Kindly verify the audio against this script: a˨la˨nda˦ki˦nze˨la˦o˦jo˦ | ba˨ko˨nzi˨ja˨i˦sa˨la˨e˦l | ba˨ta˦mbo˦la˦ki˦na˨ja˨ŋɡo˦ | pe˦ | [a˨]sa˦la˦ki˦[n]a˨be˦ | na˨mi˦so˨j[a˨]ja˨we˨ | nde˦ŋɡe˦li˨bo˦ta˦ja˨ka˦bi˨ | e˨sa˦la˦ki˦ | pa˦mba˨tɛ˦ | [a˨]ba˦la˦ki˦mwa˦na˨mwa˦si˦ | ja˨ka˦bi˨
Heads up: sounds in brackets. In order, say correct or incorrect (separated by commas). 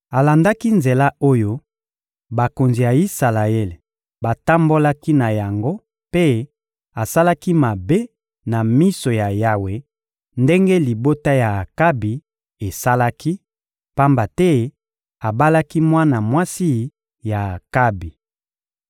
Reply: correct, incorrect, correct, correct